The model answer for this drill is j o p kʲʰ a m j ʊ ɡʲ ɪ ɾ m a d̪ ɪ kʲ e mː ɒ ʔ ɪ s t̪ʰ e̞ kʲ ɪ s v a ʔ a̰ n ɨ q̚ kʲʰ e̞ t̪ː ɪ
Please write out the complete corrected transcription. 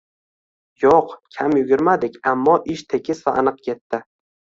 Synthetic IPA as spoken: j o q kʲʰ a m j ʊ ɡʲ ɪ ɾ m a d̪ ɪ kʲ a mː ɒ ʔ ɪ ʃ t̪ʰ e̞ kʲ ɪ s v a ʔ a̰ n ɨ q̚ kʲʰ e̞ t̪ː ɪ